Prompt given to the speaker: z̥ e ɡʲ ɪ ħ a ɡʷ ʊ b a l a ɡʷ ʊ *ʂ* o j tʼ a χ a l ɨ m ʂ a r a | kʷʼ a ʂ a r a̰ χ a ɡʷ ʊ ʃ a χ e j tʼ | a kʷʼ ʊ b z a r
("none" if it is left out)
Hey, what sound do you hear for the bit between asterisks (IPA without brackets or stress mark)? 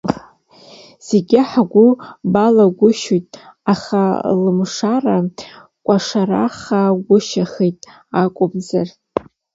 ʃ